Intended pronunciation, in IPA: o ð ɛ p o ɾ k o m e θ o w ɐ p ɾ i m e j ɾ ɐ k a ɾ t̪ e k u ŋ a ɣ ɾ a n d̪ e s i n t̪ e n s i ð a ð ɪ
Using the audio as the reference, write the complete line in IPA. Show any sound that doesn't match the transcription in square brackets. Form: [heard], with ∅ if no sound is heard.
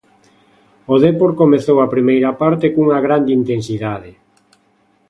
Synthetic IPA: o ð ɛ p o ɾ k o m e θ o w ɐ p ɾ i m e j ɾ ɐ [p] a ɾ t̪ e k u ŋ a ɣ ɾ a n d̪ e [∅] i n t̪ e n s i ð a ð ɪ